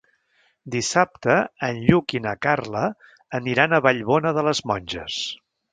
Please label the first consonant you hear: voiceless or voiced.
voiced